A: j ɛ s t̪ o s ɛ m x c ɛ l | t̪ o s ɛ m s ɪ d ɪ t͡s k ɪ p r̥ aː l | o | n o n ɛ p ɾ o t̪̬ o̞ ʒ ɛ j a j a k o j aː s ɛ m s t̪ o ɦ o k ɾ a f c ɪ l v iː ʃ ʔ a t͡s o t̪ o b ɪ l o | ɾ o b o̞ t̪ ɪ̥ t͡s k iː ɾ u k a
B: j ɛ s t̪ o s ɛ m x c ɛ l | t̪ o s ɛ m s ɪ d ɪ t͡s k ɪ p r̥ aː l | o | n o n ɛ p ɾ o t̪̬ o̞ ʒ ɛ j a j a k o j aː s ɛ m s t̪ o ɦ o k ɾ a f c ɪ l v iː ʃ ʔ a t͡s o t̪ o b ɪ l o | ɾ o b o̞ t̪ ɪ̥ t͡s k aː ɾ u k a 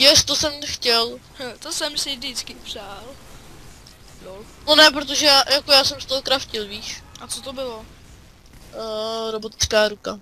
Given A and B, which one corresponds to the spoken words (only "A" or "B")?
B